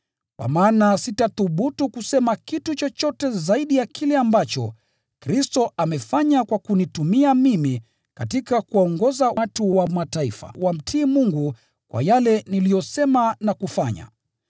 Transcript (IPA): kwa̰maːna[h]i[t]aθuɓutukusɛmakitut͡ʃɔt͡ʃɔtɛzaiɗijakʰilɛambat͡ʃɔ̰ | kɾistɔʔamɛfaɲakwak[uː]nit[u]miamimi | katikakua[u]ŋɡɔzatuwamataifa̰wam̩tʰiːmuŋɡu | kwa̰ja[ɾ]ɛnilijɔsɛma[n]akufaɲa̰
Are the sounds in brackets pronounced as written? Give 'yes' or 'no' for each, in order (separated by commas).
no, yes, no, yes, no, no, yes